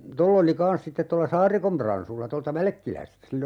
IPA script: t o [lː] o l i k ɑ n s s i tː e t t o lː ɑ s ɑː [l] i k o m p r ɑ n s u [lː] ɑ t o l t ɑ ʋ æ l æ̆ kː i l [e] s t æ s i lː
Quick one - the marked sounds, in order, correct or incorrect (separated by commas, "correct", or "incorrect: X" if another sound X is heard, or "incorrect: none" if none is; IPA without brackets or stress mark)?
correct, incorrect: r, correct, incorrect: æ